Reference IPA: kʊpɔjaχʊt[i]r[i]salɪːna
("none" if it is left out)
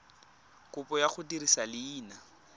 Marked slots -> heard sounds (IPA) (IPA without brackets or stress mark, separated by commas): i, i